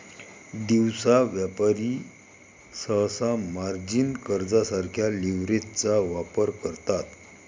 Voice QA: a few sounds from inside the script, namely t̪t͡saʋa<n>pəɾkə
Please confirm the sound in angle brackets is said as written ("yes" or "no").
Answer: no